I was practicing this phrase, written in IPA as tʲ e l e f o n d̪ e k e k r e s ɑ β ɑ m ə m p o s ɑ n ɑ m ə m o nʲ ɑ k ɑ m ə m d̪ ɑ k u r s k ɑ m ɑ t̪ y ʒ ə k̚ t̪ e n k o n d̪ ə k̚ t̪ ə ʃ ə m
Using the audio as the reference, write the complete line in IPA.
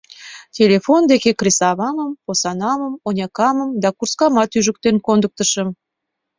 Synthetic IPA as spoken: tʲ e l e f o n d̪ e k e k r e s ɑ β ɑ m ə m p o s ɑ n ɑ m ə m o nʲ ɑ k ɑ m ə m d̪ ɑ k u r s k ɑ m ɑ t̪ y ʒ ə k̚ t̪ e n k o n d̪ ə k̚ t̪ ə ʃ ə m

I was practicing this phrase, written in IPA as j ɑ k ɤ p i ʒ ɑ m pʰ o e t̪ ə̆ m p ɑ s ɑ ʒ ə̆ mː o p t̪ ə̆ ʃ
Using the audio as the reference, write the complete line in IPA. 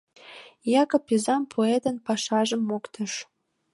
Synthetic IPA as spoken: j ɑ k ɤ p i z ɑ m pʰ o e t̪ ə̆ n p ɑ ʃ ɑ ʒ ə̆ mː o k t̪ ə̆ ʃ

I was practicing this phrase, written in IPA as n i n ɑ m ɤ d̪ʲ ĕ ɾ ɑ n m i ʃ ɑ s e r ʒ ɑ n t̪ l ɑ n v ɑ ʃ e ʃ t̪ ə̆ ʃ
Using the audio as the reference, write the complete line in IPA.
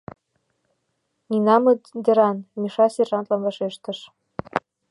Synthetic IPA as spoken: n i n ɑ m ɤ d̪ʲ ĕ ɾ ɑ n m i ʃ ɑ s e r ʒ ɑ n t̪ l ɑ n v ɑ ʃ e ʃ t̪ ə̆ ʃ

